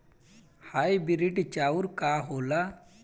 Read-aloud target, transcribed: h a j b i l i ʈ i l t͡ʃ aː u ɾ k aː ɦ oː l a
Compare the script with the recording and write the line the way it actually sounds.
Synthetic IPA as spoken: h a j b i ɾ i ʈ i t͡ʃ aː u ɾ k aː ɦ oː l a